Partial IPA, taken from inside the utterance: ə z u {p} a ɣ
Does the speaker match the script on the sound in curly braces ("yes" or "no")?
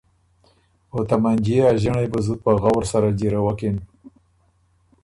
yes